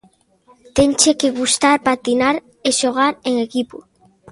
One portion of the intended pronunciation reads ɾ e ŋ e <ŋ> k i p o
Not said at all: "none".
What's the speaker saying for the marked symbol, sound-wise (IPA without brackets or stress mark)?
none